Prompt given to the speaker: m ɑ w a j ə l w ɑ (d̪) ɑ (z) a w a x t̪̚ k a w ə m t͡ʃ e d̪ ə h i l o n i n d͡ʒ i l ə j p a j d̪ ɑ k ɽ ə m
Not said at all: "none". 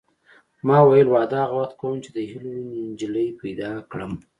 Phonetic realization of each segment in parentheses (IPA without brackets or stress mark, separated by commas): d̪, ɣ